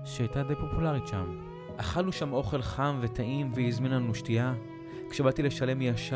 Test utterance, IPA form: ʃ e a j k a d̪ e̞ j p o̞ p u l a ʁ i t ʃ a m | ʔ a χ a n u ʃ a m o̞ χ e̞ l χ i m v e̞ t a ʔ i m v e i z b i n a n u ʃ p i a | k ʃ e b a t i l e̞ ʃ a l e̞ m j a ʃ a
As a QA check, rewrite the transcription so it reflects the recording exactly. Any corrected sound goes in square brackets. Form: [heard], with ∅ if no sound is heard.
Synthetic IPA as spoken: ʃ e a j [t] a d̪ e̞ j p o̞ p u l a ʁ i t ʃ a m | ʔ a χ a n u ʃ a m o̞ χ e̞ l χ [a] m v e̞ t a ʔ i m v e i z [m] i n a n u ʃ [t] i a | k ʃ e b a t i l e̞ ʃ a l e̞ m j a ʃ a